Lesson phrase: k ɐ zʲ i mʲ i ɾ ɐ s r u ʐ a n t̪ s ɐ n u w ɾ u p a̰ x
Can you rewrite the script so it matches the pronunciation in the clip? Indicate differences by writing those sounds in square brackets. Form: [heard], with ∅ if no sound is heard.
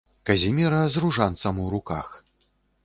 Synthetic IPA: k ɐ zʲ i mʲ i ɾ ɐ [z] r u ʐ a n t̪ s ɐ [m] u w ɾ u [k] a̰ x